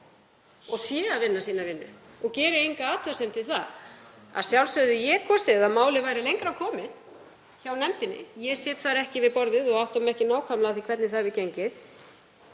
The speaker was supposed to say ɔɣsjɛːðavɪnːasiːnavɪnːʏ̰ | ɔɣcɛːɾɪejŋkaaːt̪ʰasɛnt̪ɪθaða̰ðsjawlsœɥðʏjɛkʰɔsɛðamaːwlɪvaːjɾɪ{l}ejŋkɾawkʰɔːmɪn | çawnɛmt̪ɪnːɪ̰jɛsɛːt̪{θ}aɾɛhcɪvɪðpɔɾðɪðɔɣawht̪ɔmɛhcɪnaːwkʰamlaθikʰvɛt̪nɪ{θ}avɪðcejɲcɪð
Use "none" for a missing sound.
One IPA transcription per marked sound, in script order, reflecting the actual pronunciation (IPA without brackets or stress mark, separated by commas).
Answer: l, θ, θ